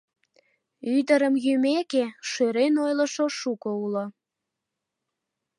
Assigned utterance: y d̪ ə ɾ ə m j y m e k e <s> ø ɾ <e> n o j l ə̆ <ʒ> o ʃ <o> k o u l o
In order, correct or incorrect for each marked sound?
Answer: incorrect, correct, incorrect, incorrect

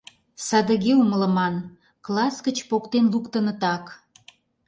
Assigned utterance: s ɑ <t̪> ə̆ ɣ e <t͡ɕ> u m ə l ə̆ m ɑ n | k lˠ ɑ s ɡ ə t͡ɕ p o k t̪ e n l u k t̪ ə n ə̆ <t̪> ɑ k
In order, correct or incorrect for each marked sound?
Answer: incorrect, incorrect, correct

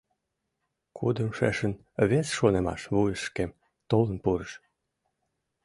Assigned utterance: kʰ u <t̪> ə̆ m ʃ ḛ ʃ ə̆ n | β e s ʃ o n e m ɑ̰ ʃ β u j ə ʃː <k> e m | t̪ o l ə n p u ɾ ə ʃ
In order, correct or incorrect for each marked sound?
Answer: incorrect, correct

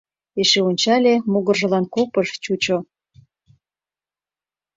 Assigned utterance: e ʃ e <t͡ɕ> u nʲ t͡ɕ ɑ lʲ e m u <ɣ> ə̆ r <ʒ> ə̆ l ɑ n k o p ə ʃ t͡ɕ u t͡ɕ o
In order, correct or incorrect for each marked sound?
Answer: incorrect, correct, correct

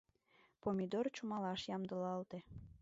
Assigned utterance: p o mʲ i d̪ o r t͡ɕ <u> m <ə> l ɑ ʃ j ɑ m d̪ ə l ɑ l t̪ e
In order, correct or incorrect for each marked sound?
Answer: correct, incorrect

